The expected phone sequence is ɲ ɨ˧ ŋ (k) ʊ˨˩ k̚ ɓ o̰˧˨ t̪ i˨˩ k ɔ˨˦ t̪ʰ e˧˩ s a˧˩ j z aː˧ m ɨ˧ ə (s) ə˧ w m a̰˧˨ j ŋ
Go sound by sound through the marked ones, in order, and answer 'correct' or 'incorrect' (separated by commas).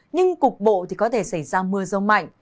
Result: correct, incorrect